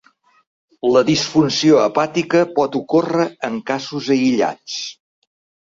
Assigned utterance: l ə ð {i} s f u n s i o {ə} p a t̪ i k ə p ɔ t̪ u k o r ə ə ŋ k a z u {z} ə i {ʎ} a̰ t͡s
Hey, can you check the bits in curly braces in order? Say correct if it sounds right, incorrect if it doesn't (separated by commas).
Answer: correct, correct, correct, correct